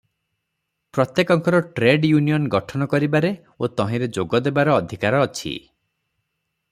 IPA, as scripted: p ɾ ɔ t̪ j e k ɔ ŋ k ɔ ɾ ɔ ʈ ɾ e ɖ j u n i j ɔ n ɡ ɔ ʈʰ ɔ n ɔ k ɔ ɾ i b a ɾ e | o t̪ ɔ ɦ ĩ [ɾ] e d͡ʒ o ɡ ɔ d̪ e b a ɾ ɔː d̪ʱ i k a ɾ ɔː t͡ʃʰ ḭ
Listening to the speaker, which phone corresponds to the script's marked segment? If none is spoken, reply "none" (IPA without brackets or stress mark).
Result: ɾ